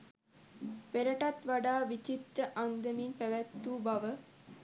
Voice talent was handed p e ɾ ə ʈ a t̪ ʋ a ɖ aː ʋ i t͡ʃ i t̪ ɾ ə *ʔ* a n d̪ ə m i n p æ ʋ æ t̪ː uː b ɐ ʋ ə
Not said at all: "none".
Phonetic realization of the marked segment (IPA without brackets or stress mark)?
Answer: ʔ